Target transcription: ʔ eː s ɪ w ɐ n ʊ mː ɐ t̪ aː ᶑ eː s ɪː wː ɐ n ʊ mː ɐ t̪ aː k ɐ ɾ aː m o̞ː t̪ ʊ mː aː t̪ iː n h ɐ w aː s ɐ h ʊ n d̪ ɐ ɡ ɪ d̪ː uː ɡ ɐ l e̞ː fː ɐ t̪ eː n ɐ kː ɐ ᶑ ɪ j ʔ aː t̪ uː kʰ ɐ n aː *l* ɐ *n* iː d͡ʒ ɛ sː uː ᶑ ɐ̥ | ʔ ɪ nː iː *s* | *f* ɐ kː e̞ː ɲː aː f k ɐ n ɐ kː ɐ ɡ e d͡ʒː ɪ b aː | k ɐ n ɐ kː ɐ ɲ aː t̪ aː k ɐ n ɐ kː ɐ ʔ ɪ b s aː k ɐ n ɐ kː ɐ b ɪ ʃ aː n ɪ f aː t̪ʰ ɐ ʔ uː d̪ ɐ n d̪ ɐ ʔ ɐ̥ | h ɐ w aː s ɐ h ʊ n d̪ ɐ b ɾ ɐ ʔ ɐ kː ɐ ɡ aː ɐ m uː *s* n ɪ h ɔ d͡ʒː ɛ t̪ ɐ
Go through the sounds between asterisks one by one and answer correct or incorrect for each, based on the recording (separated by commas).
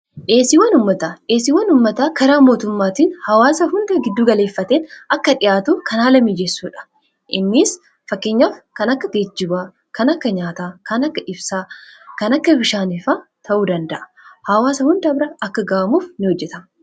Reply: correct, incorrect, correct, correct, incorrect